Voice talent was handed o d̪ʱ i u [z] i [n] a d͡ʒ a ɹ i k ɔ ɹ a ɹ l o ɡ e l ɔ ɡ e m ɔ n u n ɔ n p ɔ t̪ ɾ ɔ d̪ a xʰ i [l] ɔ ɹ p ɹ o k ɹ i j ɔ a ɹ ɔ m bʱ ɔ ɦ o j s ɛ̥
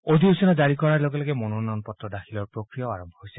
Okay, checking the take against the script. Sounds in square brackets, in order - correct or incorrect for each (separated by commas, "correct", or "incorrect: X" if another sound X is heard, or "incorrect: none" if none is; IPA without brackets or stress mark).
incorrect: s, correct, correct